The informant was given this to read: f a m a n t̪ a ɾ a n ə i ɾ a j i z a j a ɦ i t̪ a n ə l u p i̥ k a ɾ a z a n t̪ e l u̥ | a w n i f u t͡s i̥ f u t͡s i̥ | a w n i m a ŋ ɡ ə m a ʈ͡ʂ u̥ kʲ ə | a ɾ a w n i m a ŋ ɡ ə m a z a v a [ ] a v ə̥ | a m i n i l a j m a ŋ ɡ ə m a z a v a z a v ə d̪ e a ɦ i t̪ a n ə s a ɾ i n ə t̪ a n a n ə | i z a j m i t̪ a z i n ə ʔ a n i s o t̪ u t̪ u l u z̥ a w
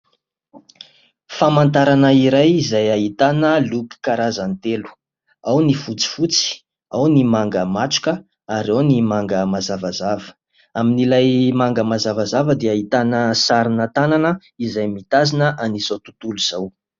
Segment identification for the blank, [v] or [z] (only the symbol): z